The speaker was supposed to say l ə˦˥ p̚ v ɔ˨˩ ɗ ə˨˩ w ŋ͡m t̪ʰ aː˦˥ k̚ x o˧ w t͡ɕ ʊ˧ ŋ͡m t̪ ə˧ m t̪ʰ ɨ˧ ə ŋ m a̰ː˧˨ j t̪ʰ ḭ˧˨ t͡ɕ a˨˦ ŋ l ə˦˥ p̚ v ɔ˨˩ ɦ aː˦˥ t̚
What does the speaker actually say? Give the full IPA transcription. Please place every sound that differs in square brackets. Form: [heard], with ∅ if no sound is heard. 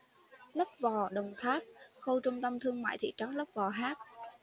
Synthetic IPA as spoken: l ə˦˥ p̚ v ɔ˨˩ ɗ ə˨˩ w ŋ͡m t̪ʰ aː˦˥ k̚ x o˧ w t͡ɕ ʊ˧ ŋ͡m t̪ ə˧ m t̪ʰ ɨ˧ ə ŋ m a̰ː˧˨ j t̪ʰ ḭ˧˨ t͡ɕ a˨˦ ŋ l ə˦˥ p̚ v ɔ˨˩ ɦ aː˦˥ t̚